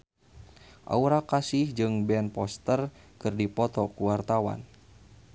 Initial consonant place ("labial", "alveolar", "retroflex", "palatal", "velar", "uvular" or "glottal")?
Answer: glottal